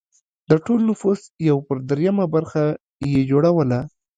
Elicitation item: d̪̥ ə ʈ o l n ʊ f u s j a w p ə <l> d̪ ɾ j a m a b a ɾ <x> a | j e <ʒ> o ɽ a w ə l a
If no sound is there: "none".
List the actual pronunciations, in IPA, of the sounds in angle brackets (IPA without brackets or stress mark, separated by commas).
ɾ, x, d͡ʒ